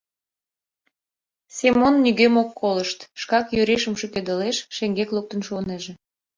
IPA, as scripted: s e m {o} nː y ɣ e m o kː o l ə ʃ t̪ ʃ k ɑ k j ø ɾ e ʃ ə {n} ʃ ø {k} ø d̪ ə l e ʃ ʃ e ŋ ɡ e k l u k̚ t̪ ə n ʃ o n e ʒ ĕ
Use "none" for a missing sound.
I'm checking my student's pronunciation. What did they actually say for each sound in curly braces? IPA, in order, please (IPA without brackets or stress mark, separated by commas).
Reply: o, m, k